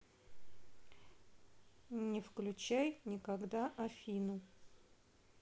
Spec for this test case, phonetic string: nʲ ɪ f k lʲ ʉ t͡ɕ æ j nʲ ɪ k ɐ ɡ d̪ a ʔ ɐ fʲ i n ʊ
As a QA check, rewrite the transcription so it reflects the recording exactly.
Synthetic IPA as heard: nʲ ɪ f k lʲ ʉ t͡ɕ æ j nʲ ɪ k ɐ ɡ d̪ a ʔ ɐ fʲ i n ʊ